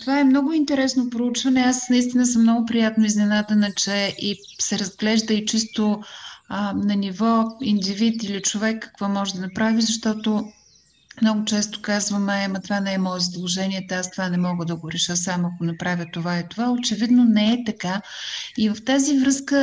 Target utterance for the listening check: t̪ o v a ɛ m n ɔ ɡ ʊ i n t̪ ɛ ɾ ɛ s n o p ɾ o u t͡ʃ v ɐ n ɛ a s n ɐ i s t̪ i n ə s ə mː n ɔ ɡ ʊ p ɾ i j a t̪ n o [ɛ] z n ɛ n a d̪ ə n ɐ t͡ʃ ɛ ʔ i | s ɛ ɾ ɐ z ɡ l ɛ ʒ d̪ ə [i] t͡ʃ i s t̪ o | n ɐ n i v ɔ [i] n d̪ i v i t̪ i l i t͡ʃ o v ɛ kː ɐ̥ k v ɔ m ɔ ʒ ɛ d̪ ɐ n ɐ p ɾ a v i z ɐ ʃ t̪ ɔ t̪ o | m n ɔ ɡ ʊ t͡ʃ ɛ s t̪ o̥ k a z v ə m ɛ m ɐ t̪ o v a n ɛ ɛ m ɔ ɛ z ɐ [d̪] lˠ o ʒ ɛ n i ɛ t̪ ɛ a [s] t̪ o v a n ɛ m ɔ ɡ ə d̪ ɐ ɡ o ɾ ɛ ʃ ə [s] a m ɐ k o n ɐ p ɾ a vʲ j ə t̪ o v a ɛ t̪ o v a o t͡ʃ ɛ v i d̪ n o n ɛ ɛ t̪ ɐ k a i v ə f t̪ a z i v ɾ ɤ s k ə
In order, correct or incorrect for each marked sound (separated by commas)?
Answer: incorrect, correct, correct, correct, correct, correct